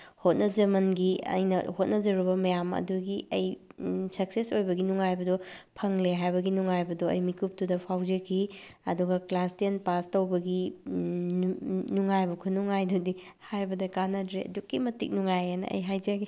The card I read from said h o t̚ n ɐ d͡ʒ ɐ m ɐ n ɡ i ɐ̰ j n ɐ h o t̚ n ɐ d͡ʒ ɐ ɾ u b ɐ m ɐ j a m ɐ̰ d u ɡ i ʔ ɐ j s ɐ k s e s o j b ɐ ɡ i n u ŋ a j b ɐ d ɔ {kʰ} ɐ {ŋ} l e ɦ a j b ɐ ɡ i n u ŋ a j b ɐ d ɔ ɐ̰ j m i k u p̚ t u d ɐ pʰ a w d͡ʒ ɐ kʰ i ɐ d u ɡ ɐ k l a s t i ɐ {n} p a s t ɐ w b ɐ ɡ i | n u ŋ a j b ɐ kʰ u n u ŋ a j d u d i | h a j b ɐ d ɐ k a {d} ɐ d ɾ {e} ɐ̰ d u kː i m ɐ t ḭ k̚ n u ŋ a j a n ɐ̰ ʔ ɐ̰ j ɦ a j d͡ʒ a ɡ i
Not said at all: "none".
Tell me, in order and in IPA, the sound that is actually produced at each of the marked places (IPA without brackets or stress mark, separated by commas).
pʰ, ŋ, n, n, e